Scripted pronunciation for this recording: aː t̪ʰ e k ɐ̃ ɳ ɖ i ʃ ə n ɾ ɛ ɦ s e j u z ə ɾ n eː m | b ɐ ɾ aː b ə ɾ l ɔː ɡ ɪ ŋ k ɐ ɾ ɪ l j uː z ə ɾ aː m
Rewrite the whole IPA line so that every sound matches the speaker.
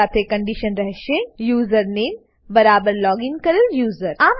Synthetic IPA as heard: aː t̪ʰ e k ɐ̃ ɳ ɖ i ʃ ə n ɾ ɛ ɦ ʃ e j uː z ə ɾ n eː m | b ɐ ɾ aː b ə ɾ l ɔː ɡ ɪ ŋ k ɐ ɾ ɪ l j uː z ə ɾ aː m

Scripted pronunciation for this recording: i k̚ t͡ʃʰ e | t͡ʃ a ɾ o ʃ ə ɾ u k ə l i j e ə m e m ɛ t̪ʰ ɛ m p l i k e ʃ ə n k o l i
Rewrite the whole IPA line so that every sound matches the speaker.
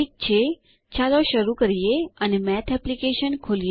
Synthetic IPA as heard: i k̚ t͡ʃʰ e | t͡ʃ a l o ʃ ə ɾ u k ə ɾ i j e ə n e m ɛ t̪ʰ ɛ p l i k e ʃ ə n kʰ o l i

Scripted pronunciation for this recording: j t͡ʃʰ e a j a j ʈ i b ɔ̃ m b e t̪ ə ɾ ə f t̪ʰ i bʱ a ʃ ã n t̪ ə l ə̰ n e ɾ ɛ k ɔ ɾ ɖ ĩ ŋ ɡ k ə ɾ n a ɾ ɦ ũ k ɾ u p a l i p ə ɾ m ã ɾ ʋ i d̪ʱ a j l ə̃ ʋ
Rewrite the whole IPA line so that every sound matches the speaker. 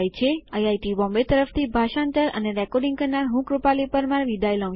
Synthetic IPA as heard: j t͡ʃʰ e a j a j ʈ i b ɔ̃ m b e t̪ ə ɾ ə f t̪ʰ i bʱ a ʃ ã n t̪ ə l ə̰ n e ɾ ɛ k ɔ ɾ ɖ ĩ ŋ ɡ k ə ɾ n a ɾ ɦ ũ k ɾ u p a l i p ə ɾ m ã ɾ ʋ i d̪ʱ a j l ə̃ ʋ

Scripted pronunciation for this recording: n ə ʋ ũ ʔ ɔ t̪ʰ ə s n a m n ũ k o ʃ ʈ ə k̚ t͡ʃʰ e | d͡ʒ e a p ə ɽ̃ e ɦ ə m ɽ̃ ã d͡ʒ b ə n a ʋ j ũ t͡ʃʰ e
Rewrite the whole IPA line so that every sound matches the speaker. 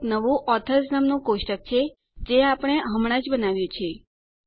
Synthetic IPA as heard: n ə ʋ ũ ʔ ɔ t̪ʰ ə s n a m n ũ k o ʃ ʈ ə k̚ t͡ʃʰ e | d͡ʒ e a p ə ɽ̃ e ɦ ə m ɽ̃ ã d͡ʒ b ə n a ʋ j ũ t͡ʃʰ e

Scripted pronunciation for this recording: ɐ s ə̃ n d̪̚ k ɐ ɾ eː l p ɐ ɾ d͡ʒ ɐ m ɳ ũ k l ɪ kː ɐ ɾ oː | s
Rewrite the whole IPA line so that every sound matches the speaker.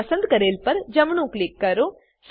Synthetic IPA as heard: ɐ s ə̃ n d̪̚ k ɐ ɾ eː l p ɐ ɾ d͡ʒ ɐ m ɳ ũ k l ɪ kː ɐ ɾ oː | s

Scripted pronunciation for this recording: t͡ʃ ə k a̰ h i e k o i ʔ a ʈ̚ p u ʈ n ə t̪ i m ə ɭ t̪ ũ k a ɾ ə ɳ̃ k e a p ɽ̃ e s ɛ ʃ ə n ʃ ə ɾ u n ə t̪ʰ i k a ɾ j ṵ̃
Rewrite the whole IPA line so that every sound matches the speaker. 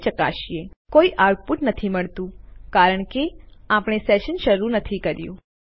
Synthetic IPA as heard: t͡ʃ ə k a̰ ʃ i e k o i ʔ a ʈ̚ p u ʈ n ə t̪ʰ i m ə ɭ t̪ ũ k a ɾ ə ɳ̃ k e a p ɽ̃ e s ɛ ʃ ə n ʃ ə ɾ u n ə t̪ʰ i k ə ɾ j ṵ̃

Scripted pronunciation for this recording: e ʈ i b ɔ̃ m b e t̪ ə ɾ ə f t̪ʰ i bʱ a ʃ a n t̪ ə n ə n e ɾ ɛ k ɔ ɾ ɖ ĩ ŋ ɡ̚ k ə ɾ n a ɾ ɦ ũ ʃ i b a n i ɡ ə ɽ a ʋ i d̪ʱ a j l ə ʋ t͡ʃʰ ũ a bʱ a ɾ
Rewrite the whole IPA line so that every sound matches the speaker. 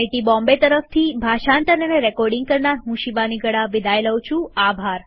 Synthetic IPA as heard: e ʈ i b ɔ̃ m b e t̪ ə ɾ ə f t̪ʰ i bʱ a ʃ a n t̪ ə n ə n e ɾ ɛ k ɔ ɾ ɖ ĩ ŋ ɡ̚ k ə ɾ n a ɾ ɦ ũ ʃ i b a n i ɡ ə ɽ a ʋ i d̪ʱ a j l ə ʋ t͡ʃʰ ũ a bʱ a ɾ

